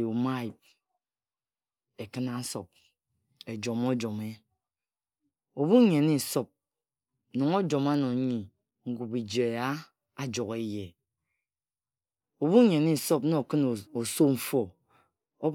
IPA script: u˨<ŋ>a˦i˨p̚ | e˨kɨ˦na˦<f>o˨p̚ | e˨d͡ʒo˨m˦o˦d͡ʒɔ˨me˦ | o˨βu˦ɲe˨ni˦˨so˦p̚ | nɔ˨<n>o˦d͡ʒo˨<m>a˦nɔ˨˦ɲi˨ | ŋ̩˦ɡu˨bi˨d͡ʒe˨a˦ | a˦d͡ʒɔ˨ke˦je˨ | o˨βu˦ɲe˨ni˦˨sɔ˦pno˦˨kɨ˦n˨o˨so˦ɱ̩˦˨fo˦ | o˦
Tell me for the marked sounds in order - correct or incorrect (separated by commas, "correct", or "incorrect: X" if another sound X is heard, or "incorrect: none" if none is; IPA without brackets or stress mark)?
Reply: incorrect: m, incorrect: s, incorrect: ŋ, correct